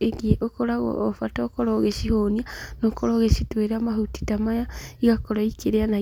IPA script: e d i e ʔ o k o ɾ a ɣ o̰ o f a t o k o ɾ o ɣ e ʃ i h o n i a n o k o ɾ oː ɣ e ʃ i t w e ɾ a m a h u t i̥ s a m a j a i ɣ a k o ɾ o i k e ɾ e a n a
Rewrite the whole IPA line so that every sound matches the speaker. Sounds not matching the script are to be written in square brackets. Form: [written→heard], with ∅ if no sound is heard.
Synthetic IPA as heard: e [d→ɡ] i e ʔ o k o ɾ a ɣ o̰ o f a t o k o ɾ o ɣ e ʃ i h o n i a n o k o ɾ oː ɣ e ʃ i t w e ɾ a m a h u t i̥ [s→t] a m a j a i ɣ a k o ɾ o i k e ɾ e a n a

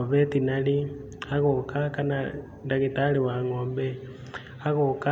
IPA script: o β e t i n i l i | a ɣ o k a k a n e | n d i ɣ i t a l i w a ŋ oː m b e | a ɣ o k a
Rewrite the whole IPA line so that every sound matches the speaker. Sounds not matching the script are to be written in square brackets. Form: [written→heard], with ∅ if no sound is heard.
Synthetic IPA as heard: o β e t i n [i→a] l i | a ɣ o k a k a n [e→a] | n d [i→a] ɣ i t a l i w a ŋ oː m b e | a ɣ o k a

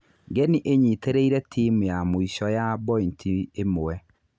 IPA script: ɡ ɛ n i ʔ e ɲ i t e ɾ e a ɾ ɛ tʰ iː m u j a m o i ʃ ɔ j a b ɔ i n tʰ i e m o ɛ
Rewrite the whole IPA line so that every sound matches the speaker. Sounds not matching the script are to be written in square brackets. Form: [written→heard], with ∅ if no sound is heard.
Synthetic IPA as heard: ɡ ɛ n i ʔ e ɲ i t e ɾ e [a→i] ɾ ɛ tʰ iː m u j a m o i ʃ ɔ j a b ɔ i n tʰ i e m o ɛ

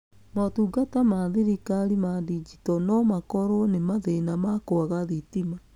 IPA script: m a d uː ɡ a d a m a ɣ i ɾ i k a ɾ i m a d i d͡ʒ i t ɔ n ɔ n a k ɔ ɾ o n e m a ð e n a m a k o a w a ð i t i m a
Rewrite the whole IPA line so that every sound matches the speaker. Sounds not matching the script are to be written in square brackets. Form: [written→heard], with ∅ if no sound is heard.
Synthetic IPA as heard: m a [d→t] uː ɡ a [d→t] a m a [ɣ→ð] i ɾ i k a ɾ i m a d i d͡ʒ i t ɔ n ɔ [n→m] a k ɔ ɾ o n e m a ð e n a m a k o a [w→ɣ] a ð i t i m a

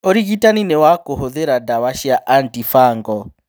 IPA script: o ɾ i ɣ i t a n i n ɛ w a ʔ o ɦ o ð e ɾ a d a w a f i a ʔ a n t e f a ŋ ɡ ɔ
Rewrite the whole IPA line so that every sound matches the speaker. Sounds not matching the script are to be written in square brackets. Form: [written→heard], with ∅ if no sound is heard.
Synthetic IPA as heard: o ɾ i ɣ i t a n i n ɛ w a [ʔ→k] o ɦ o ð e ɾ a d a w a [f→ʃ] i a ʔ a n t [e→i] f a ŋ ɡ ɔ

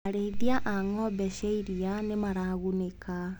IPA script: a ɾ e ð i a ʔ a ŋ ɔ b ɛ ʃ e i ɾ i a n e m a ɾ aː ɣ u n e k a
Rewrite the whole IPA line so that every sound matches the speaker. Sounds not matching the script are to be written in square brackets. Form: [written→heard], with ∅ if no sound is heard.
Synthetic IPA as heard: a ɾ e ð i a ʔ a ŋ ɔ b ɛ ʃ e i ɾ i a n e m a ɾ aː ɣ u n e k a

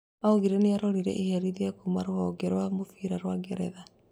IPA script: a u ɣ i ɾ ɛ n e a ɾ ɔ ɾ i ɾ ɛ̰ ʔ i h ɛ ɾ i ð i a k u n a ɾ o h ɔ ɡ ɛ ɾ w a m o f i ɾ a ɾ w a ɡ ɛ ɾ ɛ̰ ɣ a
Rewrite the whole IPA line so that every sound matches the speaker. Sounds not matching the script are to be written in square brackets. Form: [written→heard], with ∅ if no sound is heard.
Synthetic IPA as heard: a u ɣ i ɾ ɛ n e a ɾ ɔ ɾ i ɾ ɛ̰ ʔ i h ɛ ɾ i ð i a k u [n→m] a ɾ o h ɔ ɡ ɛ ɾ w a m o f i ɾ a ɾ w a ɡ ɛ ɾ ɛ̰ [ɣ→ð] a

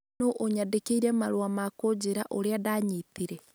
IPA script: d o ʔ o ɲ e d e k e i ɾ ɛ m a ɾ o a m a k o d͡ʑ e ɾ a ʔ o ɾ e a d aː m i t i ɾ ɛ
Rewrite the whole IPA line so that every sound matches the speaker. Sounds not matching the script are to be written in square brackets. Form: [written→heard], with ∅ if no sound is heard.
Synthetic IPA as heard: [d→n] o ʔ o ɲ [e→a] d e k e i ɾ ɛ m a ɾ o a m a k o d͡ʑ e ɾ a ʔ o ɾ e a d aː [m→ɲ] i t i ɾ ɛ

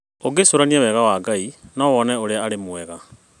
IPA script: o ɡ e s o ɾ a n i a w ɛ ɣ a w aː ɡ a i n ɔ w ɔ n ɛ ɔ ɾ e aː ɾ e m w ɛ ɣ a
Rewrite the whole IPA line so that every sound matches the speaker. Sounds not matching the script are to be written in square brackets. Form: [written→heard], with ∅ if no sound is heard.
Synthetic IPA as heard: o ɡ e s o ɾ a n i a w ɛ ɣ a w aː ɡ a i n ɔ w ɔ n ɛ [ɔ→o] ɾ e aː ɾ e m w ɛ ɣ a

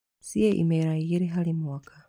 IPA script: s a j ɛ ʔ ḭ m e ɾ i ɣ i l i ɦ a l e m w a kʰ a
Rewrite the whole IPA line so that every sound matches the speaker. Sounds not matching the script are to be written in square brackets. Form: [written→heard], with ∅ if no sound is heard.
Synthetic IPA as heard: s [a→i] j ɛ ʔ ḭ m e ɾ [i→a] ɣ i [l→ɾ] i ɦ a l [e→i] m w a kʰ a

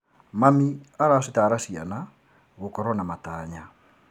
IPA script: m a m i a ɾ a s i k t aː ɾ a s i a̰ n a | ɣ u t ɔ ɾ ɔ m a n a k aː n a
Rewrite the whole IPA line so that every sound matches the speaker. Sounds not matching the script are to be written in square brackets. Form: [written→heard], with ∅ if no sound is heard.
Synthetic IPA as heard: m a m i a ɾ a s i [k→∅] t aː ɾ a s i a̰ n a | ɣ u [t→k] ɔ ɾ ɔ [m→n] a [n→m] a [k→t] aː [n→ɲ] a

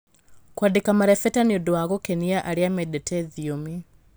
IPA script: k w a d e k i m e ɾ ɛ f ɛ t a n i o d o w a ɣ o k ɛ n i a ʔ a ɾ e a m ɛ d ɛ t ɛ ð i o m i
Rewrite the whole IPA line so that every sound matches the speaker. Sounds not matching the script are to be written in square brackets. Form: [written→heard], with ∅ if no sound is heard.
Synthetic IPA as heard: k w a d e k [i→a] m [e→a] ɾ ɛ f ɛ t a n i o d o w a ɣ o k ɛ n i a ʔ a ɾ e a m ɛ d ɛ t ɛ ð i o m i

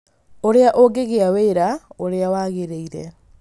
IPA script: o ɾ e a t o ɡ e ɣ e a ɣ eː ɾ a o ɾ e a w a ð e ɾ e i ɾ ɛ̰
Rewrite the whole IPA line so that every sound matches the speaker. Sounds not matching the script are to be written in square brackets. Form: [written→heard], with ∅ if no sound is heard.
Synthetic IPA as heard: o ɾ e a [t→ʔ] o ɡ e ɣ e a [ɣ→w] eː ɾ a o ɾ e a w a [ð→ɣ] e ɾ e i ɾ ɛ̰

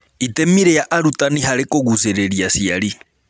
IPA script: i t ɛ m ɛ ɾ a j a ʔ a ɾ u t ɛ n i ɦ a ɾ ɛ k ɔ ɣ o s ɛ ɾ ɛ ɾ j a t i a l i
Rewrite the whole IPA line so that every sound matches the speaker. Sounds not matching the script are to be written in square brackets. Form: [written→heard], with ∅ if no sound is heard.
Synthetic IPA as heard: i t ɛ m [ɛ→i] ɾ [a→ɛ] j a ʔ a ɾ u t [ɛ→a] n i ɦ a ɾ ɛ k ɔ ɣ [o→u] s ɛ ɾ ɛ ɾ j a [t→s] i a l i

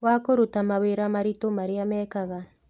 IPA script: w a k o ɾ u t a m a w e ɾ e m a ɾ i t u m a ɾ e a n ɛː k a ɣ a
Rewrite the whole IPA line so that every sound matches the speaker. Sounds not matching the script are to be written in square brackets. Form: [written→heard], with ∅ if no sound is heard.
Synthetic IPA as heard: w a k o ɾ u t a m a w e ɾ [e→a] m a ɾ i t [u→o] m a ɾ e a [n→m] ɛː k a ɣ a

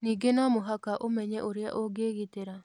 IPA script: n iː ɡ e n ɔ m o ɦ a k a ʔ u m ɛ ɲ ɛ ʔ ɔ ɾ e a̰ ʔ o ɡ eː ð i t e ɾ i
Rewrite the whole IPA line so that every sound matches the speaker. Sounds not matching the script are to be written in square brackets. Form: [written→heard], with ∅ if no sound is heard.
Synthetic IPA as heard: n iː ɡ e n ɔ m o ɦ a k a ʔ [u→o] m ɛ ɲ ɛ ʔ [ɔ→o] ɾ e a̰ ʔ o ɡ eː [ð→ɣ] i t e ɾ [i→a]

